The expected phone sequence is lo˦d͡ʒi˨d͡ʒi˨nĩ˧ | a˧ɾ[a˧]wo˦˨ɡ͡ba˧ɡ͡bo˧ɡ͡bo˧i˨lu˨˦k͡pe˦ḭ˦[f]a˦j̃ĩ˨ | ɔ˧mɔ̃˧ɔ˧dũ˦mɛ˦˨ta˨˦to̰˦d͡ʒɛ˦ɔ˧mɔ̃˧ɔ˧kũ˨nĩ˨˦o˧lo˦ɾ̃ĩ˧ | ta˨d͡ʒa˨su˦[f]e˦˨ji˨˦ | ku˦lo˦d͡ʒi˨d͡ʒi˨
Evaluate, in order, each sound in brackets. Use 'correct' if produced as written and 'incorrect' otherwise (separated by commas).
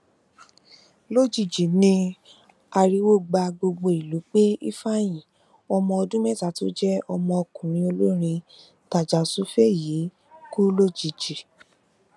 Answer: incorrect, correct, correct